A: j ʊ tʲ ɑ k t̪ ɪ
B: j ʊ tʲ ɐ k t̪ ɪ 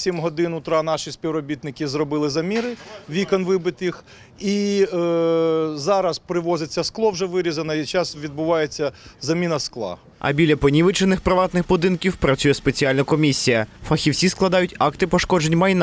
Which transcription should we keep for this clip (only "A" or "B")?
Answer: A